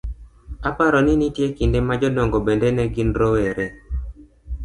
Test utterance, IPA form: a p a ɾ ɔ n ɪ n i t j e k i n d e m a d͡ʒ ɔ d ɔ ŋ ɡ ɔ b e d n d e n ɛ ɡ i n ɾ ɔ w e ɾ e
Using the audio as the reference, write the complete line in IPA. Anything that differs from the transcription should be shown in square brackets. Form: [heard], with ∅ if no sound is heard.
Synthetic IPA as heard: a p a ɾ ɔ n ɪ n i t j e k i n d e m a d͡ʒ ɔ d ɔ ŋ ɡ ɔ b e [∅] n d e n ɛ ɡ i n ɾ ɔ w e ɾ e